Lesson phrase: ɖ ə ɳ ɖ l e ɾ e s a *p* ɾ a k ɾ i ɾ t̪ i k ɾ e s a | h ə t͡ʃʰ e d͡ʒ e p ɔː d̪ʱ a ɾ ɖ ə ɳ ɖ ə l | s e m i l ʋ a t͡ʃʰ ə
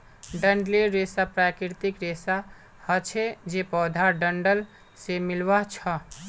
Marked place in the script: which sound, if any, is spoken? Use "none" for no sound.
p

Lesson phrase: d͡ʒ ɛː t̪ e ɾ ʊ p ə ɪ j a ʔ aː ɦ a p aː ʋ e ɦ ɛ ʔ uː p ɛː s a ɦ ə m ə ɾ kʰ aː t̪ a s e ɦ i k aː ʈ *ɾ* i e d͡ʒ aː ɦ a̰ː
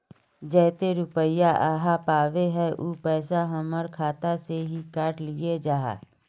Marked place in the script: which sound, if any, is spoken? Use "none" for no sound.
l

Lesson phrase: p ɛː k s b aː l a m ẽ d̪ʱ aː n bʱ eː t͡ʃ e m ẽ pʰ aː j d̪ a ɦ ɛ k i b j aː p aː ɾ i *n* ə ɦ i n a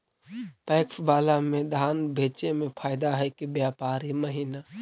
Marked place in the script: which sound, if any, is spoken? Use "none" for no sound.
m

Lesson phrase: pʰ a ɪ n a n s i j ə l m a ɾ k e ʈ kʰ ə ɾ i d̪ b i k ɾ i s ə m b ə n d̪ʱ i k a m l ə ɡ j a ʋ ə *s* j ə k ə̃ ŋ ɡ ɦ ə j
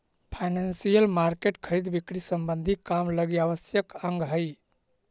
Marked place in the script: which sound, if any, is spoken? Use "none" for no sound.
s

